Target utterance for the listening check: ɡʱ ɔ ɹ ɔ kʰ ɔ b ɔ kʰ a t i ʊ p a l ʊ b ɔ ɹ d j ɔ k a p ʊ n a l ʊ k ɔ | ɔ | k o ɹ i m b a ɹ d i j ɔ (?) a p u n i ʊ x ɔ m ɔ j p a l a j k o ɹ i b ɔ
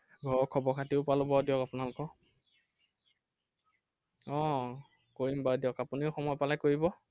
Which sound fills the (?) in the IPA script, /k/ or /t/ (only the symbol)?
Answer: k